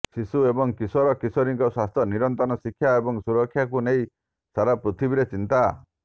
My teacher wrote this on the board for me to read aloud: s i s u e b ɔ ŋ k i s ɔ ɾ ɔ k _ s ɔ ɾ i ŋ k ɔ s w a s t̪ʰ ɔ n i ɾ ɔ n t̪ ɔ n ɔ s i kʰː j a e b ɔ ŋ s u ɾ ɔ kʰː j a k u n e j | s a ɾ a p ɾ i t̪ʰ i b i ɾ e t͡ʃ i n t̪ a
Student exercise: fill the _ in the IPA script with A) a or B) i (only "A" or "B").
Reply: B